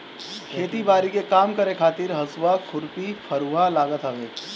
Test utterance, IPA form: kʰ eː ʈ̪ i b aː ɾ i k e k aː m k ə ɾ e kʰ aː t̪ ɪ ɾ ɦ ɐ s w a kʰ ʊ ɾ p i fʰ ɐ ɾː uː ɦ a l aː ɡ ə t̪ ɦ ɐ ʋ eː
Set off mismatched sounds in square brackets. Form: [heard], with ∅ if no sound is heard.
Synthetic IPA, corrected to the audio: kʰ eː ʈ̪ i b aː ɾ i k e k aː m k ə ɾ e kʰ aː t̪ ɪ ɾ ɦ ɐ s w a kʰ ʊ ɾ p i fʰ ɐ [ɾ] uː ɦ a l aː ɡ ə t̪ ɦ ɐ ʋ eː

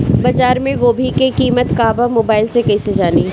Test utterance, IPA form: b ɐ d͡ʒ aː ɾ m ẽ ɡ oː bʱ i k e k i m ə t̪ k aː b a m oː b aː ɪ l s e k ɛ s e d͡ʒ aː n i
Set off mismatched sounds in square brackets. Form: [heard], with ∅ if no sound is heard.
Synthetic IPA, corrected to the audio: b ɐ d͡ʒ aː ɾ m ẽ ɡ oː bʱ i k e k [iː] m ə t̪ k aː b a m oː b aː ɪ l s e k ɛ s e d͡ʒ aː n i

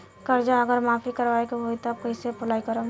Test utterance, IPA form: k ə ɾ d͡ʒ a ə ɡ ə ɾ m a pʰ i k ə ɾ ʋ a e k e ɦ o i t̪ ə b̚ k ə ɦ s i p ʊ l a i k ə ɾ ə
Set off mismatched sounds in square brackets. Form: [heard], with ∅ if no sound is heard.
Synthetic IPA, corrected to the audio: k ə ɾ d͡ʒ a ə ɡ ə ɾ m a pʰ i k ə ɾ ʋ a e k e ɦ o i t̪ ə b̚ k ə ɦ s [e] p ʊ l a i k ə ɾ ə

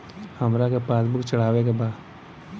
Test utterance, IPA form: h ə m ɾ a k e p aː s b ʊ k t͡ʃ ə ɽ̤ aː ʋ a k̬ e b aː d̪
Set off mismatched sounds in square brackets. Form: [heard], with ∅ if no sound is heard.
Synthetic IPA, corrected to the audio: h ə m ɾ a k e p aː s b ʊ k t͡ʃ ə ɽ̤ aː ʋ [e] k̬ e b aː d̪

